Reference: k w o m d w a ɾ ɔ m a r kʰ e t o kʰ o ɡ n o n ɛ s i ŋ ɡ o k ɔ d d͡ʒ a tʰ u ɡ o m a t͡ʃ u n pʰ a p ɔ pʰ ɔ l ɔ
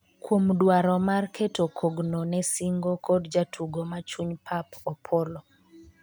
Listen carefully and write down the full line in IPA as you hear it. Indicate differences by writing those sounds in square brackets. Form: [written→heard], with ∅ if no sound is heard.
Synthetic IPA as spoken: k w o m d w a ɾ ɔ m a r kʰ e t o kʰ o ɡ n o n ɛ s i ŋ ɡ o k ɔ d d͡ʒ a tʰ u ɡ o m a t͡ʃ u [n→ɲ] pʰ a p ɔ pʰ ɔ l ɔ